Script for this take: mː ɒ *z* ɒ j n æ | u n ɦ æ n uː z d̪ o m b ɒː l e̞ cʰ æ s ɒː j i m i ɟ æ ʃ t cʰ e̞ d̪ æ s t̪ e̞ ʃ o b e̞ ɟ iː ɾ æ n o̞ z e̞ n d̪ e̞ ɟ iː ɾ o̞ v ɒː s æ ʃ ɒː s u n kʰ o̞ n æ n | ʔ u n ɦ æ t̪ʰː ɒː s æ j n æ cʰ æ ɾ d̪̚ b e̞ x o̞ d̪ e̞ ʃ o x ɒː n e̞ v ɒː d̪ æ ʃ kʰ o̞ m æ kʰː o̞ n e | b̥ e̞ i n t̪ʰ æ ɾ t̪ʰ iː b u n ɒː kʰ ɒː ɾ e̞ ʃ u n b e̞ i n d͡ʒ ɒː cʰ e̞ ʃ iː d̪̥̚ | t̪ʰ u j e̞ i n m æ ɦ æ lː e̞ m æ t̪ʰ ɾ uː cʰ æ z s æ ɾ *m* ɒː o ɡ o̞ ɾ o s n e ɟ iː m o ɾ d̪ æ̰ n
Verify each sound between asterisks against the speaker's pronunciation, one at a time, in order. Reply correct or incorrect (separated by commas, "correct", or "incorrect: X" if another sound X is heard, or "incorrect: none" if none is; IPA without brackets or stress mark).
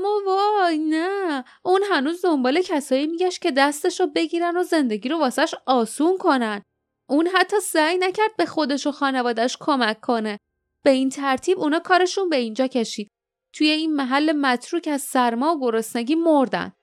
incorrect: v, correct